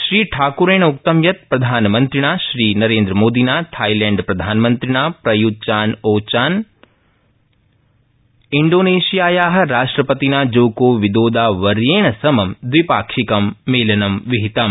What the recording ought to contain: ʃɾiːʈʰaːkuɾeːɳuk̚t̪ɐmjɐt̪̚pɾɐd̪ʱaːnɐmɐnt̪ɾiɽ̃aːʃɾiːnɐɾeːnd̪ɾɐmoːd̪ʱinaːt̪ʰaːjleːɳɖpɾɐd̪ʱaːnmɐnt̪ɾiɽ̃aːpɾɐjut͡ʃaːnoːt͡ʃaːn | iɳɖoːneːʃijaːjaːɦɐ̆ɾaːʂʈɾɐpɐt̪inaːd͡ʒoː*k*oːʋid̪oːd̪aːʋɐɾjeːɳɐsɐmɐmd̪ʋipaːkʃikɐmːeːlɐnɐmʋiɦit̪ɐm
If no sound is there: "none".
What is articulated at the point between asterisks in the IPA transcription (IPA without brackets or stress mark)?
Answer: k